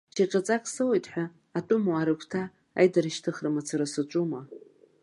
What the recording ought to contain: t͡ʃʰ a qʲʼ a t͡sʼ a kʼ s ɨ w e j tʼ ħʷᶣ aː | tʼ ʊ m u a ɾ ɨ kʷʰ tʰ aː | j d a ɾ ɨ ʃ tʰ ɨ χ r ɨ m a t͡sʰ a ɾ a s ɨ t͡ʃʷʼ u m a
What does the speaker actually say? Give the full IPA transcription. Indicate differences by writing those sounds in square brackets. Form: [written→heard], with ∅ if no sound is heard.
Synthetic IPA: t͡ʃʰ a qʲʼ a t͡sʼ a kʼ s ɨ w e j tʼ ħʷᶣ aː | tʼ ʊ m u a ɾ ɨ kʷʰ tʰ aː | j d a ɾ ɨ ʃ tʰ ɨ χ r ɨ m a t͡sʰ a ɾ a s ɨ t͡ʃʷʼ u m a